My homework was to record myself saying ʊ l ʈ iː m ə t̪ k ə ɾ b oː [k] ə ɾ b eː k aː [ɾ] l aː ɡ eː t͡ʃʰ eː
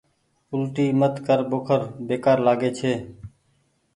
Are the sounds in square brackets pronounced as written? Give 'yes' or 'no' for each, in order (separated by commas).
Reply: no, yes